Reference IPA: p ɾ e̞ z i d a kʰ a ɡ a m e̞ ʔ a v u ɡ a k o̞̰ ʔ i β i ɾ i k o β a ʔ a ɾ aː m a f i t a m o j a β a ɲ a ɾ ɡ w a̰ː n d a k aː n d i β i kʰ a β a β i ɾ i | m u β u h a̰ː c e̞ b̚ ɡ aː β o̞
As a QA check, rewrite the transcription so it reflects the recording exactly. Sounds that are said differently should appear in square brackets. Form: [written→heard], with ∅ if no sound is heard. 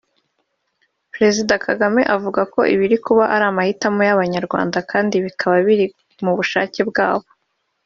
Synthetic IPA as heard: p ɾ e̞ z i d a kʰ a ɡ a m e̞ ʔ a v u ɡ a k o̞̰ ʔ i β i ɾ i k [o→u] β a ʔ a ɾ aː m a [f→h] i t a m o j a β a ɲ a ɾ ɡ w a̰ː n d a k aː n d i β i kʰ a β a β i ɾ i | m u β u [h→ʃ] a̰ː c e̞ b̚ ɡ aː β o̞

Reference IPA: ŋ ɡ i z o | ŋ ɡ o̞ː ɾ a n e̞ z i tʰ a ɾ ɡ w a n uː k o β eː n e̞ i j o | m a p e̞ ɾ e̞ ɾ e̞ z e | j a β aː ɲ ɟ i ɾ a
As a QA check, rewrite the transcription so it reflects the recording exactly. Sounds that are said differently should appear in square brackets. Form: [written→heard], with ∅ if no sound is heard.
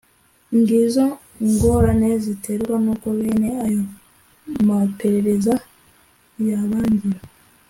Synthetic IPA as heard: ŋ ɡ i z o | ŋ ɡ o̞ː ɾ a n e̞ z i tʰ [a→e] ɾ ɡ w a n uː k o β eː n e̞ [i→a] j o | m a p e̞ ɾ e̞ ɾ e̞ z [e→a] | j a β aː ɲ ɟ i ɾ a

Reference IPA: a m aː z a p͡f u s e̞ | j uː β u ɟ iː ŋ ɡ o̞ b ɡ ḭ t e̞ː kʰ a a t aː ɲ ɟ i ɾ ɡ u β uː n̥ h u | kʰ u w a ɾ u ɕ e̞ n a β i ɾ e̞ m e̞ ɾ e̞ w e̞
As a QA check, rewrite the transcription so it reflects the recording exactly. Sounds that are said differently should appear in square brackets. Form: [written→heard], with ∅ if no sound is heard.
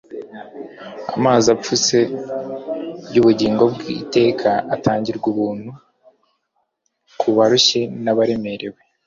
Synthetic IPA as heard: a m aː z a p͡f u s e̞ | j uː β u ɟ iː ŋ ɡ o̞ b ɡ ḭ t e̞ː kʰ a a t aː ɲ ɟ i ɾ ɡ u β uː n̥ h u | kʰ u [w→β] a ɾ u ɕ e̞ n a β [i→a] ɾ e̞ m e̞ ɾ e̞ w e̞

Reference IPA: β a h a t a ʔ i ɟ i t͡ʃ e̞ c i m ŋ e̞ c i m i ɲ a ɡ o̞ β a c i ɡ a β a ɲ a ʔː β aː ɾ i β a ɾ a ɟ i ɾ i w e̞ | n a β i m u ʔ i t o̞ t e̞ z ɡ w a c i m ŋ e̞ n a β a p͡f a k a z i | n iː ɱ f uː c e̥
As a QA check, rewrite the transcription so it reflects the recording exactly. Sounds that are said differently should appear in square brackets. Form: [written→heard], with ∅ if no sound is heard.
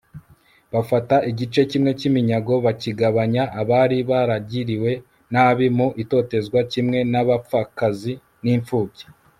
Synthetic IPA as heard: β a [h→f] a t a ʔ i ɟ i t͡ʃ e̞ c i m ŋ e̞ c i m i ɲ a ɡ o̞ β a c i ɡ a β a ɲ a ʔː β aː ɾ i β a ɾ a ɟ i ɾ i w e̞ | n a β i m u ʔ i t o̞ t e̞ z ɡ w a c i m ŋ e̞ n a β a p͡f a k a z i | n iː ɱ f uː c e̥

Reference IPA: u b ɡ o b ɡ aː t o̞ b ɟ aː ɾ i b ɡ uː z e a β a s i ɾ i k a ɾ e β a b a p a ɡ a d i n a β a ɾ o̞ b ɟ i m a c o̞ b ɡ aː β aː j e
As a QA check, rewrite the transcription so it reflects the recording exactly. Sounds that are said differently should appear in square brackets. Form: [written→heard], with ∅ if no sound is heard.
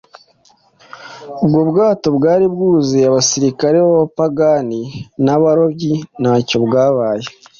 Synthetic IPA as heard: u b ɡ o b ɡ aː t o̞ b [ɟ→ɡ] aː ɾ i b ɡ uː z e a β a s i ɾ i k a ɾ e β a [b→β] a p a ɡ a [d→n] i n a β a ɾ o̞ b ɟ i [m→n] a c o̞ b ɡ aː β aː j e

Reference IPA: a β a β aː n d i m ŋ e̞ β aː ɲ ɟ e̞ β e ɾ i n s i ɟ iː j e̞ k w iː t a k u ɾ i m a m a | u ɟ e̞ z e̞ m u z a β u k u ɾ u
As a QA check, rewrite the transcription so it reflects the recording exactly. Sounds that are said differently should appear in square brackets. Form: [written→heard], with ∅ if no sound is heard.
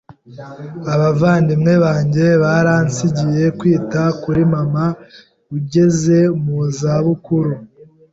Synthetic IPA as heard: a β a [β→v] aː n d i m ŋ e̞ β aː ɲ ɟ e̞ β [e→a] ɾ [i→a] n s i ɟ [iː→i] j e̞ k w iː t a k u ɾ i m a m a | u ɟ e̞ z e̞ m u z a β u k u ɾ u

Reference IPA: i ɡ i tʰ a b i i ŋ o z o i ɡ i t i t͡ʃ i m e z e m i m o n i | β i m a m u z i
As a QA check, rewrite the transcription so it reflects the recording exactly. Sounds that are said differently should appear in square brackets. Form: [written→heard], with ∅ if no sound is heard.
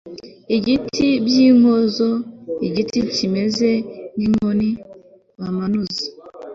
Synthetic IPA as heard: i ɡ i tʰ [a→i] b [i→j] i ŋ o z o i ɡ i t i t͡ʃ i m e z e [m→n] i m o n i | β [i→a] m a [m→n] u z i

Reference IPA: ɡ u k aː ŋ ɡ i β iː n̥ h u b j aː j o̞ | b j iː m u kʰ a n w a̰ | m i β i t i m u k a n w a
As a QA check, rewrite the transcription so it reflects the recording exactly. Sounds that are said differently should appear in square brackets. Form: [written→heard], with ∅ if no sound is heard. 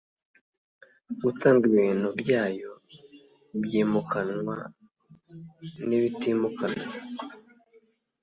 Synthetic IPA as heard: ɡ u [k→t] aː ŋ ɡ i β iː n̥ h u b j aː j o̞ | b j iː m u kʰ a n w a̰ | [m→n] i β i t i m u k a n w a

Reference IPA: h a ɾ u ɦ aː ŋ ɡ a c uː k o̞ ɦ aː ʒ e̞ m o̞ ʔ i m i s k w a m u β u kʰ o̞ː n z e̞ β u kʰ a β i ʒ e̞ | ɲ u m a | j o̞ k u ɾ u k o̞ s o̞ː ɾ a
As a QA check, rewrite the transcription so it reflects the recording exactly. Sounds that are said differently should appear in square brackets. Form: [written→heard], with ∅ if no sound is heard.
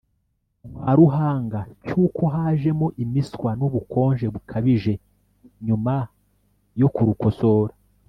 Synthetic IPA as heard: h a ɾ u ɦ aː ŋ ɡ a c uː k o̞ ɦ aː ʒ e̞ m o̞ ʔ i m i s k w a [m→n] u β u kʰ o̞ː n [z→ʒ] e̞ β u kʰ a β i ʒ e̞ | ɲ u m a | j o̞ k u ɾ u k o̞ s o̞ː ɾ a

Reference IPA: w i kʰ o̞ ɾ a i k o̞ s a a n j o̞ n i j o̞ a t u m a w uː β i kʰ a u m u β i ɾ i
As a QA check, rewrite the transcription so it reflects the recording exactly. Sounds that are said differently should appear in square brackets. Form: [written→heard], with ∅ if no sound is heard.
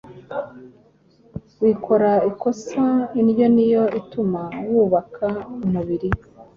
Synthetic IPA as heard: w i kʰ o̞ ɾ a i k o̞ s a [a→i] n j o̞ n i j o̞ [a→i] t u m a w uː β [i→a] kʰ a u m u β i ɾ i

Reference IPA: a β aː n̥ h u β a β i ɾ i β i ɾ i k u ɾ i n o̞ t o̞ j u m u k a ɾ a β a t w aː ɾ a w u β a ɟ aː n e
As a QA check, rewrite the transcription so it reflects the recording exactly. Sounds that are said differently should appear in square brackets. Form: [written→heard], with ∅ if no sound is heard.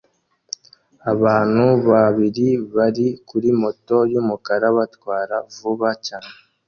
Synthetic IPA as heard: a β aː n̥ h u β a β i ɾ i β [i→a] ɾ i k u ɾ i [n→m] o̞ t o̞ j u m u k a ɾ a β a t w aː ɾ a [w→v] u β a [ɟ→c] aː n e

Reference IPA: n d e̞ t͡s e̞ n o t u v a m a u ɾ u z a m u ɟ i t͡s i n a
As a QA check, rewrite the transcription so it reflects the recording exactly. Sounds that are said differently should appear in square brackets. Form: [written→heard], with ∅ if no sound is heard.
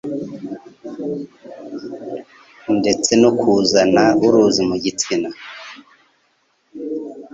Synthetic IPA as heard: n d e̞ t͡s e̞ n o [t→k] u [v→z] a [m→n] a u ɾ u z [a→i] m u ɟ i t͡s i n a

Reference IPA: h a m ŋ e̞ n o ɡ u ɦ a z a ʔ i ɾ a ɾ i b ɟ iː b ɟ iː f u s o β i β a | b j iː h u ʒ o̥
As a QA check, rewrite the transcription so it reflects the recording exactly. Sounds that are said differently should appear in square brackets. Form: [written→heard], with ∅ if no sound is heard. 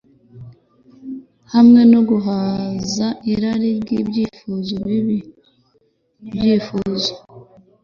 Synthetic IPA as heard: h a m ŋ e̞ n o ɡ u ɦ a z a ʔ i ɾ a ɾ i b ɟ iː b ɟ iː f u [s→z] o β i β [a→i] | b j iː [h→f] u [ʒ→z] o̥

